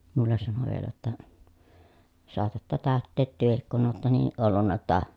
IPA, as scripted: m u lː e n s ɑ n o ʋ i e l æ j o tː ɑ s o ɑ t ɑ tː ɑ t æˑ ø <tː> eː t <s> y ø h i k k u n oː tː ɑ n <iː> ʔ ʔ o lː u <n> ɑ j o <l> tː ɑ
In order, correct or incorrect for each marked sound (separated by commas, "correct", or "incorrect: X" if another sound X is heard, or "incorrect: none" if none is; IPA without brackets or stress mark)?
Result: correct, incorrect: t, correct, incorrect: nː, incorrect: none